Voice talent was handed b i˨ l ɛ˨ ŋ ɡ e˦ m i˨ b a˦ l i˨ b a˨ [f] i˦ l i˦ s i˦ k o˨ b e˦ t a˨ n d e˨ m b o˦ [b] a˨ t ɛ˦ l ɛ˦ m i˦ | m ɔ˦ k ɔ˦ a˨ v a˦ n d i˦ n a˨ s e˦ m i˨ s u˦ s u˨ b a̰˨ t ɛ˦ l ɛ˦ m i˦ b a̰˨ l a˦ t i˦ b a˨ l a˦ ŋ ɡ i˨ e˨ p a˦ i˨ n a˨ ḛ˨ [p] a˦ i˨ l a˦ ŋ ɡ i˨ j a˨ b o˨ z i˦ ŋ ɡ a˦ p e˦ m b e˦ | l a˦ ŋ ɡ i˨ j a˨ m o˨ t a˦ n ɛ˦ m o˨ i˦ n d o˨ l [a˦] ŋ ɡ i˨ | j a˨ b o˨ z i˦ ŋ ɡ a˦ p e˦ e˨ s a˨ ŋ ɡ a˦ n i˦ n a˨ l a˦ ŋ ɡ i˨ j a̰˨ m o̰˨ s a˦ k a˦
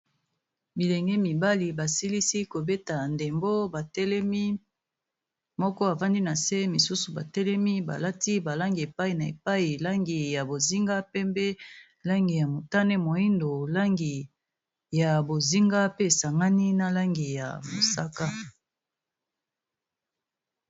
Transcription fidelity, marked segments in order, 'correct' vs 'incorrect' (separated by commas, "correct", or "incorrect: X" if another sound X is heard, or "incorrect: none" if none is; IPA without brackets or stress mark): incorrect: s, correct, correct, correct